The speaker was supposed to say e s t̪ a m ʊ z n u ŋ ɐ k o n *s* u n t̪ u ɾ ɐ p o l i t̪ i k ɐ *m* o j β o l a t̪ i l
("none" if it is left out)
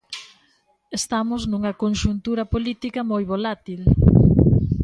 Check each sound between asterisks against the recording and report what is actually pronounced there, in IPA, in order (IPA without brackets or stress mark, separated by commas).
ʃ, m